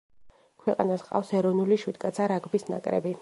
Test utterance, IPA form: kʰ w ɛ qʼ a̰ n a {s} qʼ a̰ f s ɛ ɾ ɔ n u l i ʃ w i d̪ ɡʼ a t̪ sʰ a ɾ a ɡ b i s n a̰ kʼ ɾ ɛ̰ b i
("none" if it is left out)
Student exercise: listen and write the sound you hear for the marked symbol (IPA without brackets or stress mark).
s